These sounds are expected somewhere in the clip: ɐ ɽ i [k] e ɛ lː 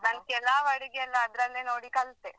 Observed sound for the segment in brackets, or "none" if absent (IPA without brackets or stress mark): ɡ